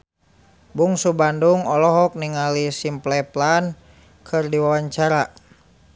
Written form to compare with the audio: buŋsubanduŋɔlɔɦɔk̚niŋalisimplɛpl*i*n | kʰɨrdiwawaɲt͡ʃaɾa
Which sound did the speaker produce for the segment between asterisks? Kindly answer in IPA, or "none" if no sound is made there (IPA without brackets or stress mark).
a